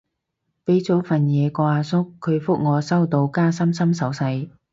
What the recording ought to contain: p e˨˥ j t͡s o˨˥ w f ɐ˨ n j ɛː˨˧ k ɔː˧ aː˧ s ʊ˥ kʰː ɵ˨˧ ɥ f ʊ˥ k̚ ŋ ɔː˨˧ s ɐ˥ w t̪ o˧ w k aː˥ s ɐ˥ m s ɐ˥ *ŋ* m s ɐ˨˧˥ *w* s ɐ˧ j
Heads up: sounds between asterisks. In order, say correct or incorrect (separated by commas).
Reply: incorrect, correct